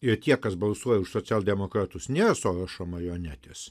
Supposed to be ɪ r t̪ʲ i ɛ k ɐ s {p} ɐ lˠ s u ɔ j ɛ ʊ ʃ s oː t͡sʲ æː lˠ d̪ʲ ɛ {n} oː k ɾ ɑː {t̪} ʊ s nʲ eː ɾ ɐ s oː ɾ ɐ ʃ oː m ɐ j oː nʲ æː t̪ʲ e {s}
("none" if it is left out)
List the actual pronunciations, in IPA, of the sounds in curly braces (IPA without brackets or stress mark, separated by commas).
b, m, t̪, s